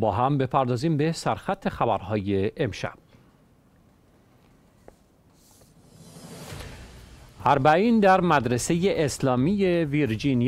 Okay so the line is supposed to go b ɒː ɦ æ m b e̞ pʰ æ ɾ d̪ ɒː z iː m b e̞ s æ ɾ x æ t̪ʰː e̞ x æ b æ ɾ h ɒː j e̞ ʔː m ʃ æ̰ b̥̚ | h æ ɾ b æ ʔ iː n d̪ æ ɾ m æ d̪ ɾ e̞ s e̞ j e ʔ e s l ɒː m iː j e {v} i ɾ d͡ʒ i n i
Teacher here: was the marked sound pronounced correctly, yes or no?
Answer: yes